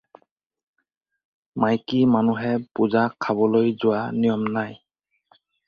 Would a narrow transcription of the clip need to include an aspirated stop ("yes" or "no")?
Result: yes